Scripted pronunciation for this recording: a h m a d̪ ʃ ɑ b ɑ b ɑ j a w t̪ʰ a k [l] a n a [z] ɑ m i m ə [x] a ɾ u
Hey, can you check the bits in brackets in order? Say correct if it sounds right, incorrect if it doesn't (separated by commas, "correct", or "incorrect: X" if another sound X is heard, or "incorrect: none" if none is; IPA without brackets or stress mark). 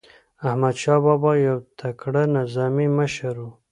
incorrect: ɽ, correct, incorrect: ʃ